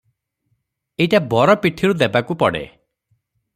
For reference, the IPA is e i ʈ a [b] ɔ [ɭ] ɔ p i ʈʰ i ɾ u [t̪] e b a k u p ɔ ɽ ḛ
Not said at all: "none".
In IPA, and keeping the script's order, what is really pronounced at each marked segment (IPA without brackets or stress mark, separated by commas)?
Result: b, ɾ, d̪